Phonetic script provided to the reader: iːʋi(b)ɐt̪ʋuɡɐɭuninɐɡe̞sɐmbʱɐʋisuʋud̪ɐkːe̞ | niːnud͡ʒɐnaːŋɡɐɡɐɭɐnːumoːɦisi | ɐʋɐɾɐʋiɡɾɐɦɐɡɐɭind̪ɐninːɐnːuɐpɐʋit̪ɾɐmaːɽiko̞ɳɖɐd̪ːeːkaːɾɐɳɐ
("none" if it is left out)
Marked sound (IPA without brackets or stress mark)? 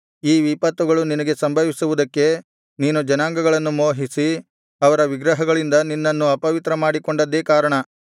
p